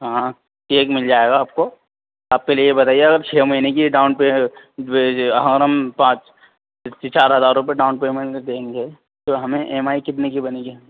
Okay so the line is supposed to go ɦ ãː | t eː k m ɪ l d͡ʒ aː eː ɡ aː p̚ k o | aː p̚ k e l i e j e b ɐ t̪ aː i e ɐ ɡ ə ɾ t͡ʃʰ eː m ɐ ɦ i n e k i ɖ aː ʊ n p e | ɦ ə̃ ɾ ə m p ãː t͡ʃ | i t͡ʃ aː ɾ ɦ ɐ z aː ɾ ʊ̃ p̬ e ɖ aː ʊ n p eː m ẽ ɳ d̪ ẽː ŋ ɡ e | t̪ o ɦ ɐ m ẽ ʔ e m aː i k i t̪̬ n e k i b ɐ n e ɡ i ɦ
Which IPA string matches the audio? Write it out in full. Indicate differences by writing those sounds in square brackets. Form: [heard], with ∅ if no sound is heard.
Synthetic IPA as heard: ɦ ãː | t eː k m ɪ l d͡ʒ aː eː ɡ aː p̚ k o | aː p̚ k e l i e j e b ɐ t̪ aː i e ɐ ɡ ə ɾ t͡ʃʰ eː m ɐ ɦ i n e k i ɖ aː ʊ n p e | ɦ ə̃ ɾ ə m p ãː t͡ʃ | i t͡ʃ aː ɾ ɦ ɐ z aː ɾ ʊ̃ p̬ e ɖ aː ʊ n p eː m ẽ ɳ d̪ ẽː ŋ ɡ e | t̪ o ɦ ɐ m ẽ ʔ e m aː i k [ɪ] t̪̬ n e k i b ɐ n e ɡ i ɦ